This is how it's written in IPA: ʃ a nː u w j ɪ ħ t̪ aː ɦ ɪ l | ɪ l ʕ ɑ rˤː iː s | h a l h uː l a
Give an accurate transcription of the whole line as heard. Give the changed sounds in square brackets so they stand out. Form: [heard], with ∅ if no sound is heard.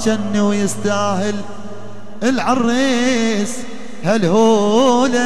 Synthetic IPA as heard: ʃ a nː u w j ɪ [s] t̪ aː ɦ ɪ l | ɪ l ʕ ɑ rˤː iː s | h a l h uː l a